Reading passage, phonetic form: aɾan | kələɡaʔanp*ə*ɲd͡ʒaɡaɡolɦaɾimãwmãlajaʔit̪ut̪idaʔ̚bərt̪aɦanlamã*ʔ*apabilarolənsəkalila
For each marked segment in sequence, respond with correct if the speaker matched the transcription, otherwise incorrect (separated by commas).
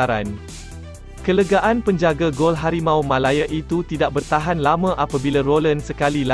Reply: correct, correct